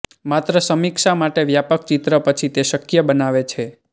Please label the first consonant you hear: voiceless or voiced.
voiced